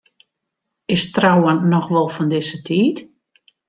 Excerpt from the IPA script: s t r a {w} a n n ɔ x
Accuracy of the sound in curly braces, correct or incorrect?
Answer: correct